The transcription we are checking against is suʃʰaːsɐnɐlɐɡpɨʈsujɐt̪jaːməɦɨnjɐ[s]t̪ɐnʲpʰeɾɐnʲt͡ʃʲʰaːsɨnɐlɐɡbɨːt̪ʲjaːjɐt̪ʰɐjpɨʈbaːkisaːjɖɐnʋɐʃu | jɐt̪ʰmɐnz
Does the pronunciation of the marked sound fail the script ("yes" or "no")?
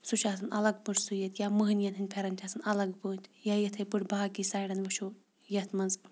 yes